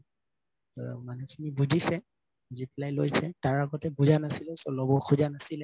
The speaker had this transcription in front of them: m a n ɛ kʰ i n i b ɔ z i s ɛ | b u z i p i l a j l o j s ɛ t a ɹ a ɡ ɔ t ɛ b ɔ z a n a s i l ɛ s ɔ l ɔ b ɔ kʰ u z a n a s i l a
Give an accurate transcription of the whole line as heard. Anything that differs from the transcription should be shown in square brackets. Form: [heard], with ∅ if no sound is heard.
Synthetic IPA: m a n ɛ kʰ i n i b [u] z i s ɛ | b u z i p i l a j l o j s ɛ t a ɹ a ɡ ɔ t ɛ b [u] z a n a s i l ɛ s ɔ l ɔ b ɔ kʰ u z a n a s i l [ɛ]